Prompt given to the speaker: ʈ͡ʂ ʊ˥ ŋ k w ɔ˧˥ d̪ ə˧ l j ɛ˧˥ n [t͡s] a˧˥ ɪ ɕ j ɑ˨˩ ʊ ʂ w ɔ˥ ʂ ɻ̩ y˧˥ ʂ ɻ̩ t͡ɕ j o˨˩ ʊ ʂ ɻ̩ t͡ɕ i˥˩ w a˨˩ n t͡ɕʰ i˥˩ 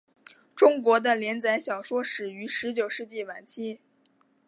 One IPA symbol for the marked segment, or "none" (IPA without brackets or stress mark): t͡s